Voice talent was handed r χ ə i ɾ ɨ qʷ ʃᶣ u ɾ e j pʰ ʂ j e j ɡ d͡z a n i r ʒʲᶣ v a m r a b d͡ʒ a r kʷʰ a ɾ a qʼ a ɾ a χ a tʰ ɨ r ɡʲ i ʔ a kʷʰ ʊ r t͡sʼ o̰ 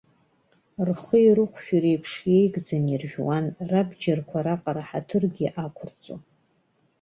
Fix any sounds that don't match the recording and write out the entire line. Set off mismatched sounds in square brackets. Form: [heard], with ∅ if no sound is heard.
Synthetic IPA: r χ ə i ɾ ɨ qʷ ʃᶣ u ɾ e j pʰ ʂ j e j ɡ d͡z a n i r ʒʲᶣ [w] a [n] r a b d͡ʒ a r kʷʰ a ɾ a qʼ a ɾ a [ħ] a tʰ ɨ r ɡʲ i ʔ a kʷʰ ʊ r t͡sʼ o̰